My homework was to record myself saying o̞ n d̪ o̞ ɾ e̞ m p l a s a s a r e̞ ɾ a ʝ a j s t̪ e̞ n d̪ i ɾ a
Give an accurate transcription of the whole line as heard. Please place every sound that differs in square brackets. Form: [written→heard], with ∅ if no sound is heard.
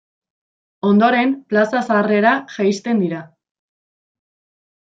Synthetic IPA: o̞ n d̪ o̞ ɾ e̞ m p l a s a s a r e̞ ɾ a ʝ a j s t̪ e̞ n d̪ i ɾ a